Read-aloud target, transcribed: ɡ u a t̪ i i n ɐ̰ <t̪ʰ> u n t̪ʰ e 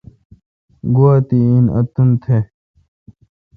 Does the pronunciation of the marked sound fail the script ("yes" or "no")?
yes